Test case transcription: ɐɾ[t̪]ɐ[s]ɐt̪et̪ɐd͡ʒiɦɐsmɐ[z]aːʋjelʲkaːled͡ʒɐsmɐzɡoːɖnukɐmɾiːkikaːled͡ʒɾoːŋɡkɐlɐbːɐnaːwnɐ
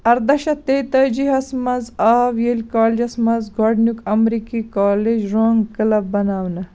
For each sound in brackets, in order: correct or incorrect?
incorrect: d̪, incorrect: ʃ, correct

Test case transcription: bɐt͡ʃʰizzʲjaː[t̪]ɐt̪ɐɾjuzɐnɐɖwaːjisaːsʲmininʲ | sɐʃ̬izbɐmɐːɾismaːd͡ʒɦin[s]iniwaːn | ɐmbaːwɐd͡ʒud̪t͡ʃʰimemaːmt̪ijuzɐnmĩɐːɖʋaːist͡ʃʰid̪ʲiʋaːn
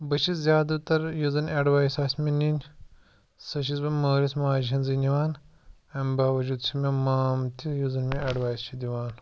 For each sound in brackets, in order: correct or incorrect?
incorrect: d̪, incorrect: z

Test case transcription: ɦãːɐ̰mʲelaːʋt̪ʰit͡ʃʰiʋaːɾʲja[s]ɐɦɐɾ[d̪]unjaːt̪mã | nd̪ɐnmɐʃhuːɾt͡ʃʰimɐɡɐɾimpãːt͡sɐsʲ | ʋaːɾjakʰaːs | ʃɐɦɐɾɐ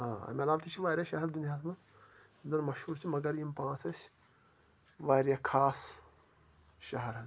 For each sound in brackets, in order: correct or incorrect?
incorrect: ʃ, correct

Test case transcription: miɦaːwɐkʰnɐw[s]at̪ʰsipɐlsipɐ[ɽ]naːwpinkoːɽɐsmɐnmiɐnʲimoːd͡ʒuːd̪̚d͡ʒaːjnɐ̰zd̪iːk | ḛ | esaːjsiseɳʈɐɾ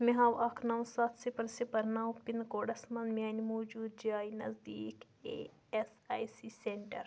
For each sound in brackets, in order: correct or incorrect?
correct, incorrect: ɾ

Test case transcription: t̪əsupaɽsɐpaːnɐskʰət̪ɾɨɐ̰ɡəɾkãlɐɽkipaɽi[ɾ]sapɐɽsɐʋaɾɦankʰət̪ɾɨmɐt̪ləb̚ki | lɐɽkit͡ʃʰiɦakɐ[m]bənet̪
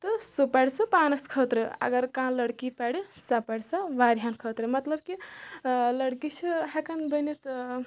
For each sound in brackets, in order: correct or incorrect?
incorrect: none, incorrect: n

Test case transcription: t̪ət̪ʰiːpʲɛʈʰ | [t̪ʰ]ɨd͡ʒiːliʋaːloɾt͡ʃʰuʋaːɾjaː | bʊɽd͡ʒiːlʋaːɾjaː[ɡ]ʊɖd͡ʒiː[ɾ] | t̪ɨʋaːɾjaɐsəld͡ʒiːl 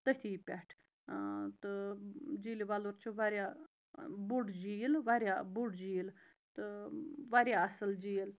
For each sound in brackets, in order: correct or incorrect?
incorrect: t̪, incorrect: b, incorrect: l

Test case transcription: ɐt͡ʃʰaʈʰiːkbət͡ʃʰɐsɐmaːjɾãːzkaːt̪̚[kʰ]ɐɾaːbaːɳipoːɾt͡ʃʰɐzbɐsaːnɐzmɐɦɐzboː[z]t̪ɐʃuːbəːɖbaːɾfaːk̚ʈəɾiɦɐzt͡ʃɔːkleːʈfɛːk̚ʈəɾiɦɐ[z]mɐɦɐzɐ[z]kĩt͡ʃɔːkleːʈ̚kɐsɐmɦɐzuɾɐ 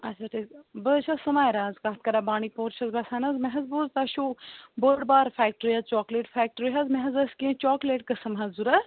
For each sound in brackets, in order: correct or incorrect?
incorrect: k, correct, correct, incorrect: s

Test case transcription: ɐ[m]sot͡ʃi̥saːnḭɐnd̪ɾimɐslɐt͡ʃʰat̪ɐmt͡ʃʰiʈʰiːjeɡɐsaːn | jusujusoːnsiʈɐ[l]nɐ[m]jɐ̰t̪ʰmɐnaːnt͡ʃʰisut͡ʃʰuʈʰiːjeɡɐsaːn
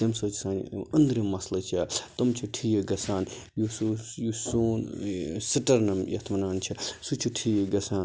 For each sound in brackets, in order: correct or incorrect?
correct, incorrect: ɾ, correct

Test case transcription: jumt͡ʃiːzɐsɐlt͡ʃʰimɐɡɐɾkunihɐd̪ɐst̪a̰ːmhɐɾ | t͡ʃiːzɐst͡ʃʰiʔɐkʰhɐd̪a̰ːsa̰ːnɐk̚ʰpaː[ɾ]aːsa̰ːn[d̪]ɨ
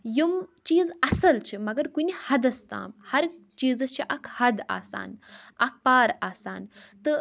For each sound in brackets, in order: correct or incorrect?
correct, incorrect: t̪

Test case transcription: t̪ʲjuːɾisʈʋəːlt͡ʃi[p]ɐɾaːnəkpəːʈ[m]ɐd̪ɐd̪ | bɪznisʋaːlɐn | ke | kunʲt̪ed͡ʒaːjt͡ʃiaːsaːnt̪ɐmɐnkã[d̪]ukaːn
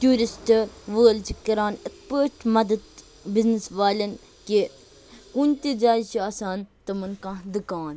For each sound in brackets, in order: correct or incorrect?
incorrect: k, correct, correct

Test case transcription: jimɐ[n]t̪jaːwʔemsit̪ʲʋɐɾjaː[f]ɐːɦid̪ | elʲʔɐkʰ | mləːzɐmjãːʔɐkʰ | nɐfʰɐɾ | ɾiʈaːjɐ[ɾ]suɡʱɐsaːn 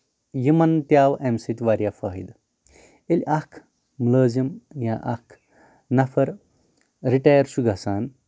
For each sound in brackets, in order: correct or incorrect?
correct, correct, correct

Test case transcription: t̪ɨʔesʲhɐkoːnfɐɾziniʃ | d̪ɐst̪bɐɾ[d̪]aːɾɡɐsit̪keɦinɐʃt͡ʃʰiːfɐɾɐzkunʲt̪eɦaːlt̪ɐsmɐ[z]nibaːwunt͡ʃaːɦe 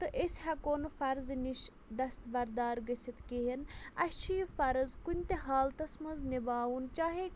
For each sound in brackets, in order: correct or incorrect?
correct, correct

